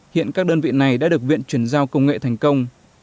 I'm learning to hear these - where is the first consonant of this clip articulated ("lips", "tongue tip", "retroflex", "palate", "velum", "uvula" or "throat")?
throat